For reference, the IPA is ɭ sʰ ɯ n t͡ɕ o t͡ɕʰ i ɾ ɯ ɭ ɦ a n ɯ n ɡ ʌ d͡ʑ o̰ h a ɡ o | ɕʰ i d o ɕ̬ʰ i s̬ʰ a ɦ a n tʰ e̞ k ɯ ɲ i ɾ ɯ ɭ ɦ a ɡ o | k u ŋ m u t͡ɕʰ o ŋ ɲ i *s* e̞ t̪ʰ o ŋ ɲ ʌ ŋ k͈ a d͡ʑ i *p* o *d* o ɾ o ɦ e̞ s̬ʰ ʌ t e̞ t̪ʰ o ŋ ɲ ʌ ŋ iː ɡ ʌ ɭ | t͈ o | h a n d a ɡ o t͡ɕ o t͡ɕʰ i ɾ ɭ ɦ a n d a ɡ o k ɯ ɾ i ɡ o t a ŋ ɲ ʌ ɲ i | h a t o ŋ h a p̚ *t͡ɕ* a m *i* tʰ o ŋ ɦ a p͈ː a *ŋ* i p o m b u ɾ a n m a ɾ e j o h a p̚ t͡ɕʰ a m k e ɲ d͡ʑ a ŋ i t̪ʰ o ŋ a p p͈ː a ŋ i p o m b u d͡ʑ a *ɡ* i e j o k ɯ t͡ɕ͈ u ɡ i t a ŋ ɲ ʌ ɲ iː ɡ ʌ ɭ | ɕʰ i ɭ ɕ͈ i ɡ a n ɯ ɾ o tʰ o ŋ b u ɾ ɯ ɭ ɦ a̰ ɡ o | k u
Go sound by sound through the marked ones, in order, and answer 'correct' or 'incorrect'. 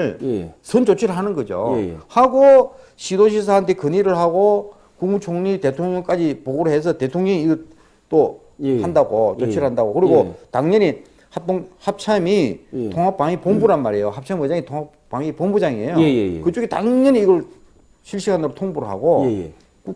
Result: incorrect, correct, incorrect, incorrect, correct, correct, incorrect

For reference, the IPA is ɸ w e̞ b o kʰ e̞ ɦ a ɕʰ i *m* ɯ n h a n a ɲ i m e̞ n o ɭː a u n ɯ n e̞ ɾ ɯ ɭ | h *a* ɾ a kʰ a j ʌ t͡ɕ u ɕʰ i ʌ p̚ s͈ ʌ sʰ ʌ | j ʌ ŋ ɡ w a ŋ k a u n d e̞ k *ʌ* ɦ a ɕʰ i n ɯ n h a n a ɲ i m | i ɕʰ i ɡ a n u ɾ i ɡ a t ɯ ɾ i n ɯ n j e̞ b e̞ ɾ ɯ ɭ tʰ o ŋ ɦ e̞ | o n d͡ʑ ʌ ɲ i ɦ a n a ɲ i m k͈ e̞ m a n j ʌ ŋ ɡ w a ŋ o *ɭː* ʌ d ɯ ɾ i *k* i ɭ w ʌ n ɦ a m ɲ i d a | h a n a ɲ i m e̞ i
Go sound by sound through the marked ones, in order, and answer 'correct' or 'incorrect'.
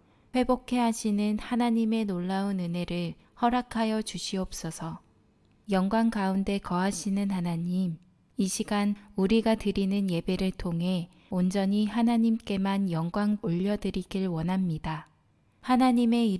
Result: incorrect, incorrect, correct, incorrect, incorrect

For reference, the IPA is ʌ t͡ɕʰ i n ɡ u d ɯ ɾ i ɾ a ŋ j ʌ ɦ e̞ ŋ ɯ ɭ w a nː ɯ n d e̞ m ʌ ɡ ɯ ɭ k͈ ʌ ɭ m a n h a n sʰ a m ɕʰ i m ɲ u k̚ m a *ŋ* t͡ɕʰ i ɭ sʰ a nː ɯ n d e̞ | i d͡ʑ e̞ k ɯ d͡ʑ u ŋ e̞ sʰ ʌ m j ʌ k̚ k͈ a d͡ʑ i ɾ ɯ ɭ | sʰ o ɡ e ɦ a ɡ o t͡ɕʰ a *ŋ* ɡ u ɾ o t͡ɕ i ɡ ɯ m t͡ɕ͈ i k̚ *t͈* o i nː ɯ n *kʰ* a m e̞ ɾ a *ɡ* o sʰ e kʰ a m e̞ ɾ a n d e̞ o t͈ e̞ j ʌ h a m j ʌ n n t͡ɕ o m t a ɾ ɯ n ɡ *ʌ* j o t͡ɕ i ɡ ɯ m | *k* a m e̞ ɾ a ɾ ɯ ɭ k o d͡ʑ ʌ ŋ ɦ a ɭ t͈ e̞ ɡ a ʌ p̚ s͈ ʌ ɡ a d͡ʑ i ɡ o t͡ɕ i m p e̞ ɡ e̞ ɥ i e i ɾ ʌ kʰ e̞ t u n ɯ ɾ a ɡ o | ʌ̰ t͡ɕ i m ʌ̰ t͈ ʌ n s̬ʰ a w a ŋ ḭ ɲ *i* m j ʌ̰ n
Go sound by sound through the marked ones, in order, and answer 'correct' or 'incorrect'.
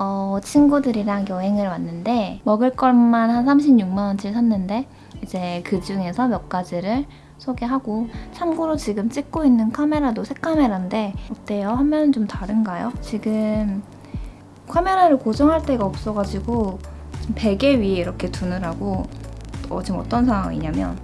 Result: incorrect, incorrect, incorrect, correct, incorrect, incorrect, incorrect, incorrect

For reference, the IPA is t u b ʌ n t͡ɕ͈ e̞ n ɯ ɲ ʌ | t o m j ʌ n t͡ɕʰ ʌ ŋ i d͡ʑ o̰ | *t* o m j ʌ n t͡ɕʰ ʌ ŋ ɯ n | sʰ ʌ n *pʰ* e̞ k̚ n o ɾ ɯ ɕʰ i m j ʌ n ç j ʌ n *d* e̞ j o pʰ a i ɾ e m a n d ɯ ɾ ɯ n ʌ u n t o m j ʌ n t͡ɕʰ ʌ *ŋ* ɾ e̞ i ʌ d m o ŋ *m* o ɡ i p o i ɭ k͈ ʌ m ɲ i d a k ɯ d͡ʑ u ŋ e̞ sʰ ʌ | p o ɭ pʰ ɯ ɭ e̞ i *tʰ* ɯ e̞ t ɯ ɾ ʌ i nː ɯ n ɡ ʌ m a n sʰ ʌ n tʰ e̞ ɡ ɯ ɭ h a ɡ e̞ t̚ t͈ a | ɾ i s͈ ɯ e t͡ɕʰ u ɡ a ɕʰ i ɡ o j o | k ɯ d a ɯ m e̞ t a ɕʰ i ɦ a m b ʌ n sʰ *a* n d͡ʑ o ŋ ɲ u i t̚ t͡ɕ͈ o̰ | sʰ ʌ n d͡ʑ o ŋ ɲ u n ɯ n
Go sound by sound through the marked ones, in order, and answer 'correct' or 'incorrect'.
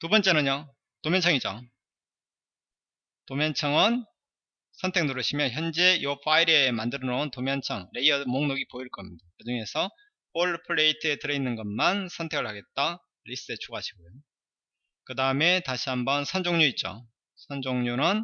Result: correct, incorrect, incorrect, correct, incorrect, correct, incorrect

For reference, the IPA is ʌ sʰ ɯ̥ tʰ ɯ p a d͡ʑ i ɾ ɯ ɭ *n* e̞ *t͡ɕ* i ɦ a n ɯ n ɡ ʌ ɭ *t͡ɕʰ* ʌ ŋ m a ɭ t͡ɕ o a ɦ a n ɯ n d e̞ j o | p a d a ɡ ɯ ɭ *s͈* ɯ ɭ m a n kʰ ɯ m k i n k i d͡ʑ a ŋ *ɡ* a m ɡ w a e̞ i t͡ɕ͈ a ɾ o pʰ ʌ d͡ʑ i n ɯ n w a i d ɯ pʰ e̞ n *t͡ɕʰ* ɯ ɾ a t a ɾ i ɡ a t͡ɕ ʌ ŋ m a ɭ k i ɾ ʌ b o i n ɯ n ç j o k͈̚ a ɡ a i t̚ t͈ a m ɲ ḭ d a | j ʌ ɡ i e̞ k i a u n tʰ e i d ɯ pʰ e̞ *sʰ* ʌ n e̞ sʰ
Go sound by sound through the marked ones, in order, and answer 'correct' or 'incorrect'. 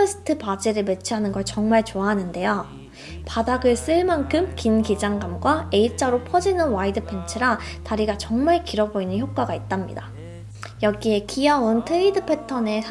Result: incorrect, incorrect, incorrect, correct, correct, correct, incorrect

